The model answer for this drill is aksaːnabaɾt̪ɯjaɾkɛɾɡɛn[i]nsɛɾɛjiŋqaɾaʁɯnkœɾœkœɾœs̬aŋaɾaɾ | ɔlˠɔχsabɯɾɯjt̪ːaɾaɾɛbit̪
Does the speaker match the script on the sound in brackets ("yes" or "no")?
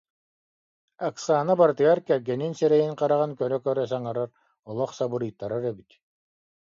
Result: yes